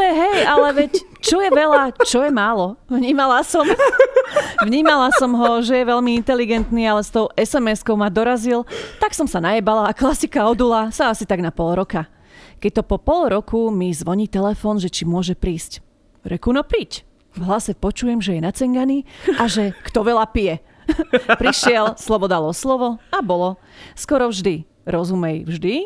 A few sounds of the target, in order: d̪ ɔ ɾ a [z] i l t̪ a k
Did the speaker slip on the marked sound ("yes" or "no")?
no